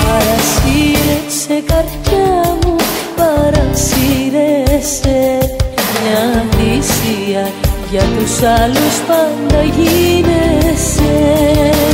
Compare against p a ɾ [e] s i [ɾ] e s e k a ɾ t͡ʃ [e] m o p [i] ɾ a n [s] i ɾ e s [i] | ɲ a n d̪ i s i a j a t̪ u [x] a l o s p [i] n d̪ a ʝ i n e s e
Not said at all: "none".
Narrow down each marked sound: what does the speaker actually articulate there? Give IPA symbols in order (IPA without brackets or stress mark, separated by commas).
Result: a, ɾ, a, a, s, e, s, a